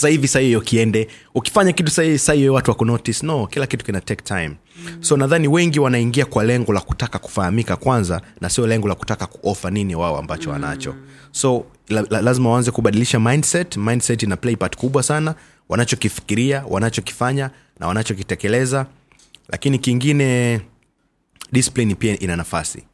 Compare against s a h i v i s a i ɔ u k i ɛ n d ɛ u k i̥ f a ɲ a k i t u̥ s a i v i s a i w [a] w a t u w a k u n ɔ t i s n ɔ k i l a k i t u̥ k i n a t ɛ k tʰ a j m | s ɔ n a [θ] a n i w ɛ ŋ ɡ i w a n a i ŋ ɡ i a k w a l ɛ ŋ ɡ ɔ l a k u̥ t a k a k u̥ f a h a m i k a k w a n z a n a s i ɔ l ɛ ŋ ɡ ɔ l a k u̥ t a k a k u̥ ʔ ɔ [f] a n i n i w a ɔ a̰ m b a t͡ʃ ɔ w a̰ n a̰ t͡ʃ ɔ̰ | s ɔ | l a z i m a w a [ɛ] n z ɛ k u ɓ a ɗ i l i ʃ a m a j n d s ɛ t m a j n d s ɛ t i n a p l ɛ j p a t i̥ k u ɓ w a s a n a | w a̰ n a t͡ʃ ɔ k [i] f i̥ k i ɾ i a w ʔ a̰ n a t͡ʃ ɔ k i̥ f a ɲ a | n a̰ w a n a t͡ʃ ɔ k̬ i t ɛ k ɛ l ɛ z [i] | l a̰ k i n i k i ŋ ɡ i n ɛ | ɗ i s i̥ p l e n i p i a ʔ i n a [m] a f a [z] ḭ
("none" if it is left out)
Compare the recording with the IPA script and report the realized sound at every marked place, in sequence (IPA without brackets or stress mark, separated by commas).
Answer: ɛ, ð, f, a, i, a, n, s